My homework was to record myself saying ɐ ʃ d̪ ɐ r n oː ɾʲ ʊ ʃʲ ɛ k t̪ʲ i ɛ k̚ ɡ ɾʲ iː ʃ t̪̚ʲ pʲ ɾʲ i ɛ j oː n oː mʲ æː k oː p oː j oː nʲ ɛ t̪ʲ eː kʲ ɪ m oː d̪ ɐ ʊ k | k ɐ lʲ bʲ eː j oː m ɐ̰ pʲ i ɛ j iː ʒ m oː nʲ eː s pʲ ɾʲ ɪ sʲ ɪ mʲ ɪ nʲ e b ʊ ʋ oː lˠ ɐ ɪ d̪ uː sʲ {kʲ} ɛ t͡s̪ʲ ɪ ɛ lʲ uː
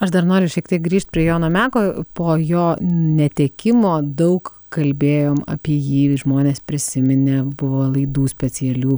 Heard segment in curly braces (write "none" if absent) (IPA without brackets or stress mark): pʲ